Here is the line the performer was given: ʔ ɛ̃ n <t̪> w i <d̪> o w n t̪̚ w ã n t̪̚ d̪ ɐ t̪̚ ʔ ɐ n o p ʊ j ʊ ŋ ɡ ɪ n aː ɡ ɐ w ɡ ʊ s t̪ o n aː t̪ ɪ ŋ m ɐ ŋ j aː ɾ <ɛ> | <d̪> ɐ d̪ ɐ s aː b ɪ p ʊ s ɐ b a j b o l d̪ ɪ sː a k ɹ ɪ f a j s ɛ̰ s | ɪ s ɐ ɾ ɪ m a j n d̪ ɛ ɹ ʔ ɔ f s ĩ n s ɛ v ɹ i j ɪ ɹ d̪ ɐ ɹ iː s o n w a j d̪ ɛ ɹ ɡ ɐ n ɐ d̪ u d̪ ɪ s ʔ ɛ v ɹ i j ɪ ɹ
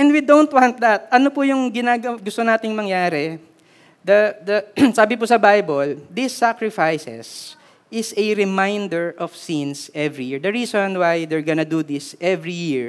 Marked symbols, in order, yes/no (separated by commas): no, yes, yes, yes